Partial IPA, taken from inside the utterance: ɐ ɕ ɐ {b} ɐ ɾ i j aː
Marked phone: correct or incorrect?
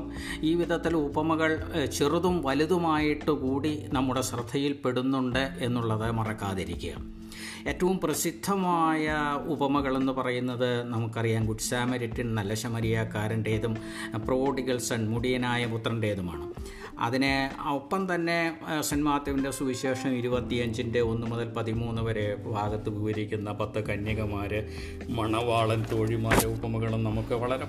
incorrect